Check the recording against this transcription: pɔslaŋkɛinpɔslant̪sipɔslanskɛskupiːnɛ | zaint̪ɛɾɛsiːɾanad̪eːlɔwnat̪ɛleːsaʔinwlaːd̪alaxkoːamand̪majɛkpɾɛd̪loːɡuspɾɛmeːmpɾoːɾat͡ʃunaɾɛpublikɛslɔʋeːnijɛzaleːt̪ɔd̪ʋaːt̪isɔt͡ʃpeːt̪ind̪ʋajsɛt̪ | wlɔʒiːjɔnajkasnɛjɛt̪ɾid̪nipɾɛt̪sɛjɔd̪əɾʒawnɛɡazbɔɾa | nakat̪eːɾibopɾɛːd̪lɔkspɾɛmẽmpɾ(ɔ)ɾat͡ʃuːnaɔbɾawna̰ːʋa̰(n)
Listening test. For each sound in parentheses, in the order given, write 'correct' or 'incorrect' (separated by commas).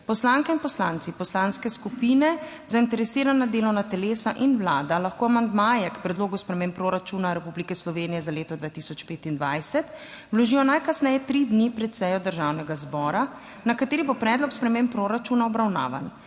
incorrect, correct